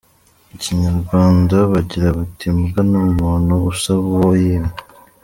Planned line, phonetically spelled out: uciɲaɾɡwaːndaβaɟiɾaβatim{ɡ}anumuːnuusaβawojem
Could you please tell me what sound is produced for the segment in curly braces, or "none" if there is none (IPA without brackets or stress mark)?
ɡ